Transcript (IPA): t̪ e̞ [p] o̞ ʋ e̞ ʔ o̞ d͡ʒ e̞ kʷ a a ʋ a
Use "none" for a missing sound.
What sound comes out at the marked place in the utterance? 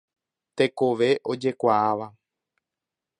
k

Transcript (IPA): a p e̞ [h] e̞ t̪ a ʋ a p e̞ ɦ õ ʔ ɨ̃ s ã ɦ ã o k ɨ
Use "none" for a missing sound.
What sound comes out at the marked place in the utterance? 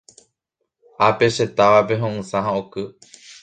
ʃ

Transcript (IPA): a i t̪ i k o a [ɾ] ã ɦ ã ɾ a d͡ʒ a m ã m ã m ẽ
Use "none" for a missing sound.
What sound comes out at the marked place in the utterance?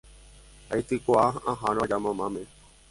none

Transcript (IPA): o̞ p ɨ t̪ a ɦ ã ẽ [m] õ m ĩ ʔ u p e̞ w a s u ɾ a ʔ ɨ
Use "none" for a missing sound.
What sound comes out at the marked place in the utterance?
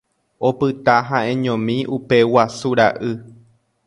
ɲ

